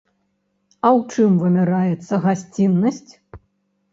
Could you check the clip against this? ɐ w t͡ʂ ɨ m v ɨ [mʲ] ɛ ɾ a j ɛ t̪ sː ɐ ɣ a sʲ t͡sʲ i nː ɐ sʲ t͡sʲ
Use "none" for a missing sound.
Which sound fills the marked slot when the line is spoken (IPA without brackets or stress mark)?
mʲ